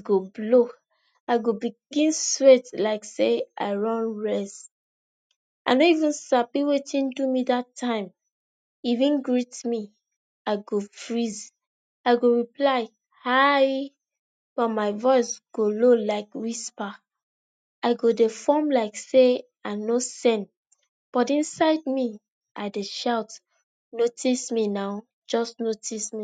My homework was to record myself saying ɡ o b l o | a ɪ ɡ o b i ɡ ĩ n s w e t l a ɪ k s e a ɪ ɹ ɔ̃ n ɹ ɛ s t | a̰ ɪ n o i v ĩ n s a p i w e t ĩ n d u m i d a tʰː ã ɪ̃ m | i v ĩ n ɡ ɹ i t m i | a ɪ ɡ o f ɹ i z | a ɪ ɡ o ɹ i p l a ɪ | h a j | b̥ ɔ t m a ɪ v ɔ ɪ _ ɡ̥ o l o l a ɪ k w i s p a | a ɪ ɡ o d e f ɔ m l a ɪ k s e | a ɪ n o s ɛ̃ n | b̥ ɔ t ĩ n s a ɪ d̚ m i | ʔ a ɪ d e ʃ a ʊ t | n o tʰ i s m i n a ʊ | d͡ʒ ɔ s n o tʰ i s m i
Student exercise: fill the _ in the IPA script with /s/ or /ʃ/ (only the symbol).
s